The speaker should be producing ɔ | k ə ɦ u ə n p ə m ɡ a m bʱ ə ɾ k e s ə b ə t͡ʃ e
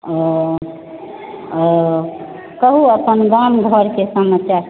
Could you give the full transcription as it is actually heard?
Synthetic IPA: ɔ | k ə ɦ u ə p ə n ɡ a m ɡʱ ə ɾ k e s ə m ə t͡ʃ a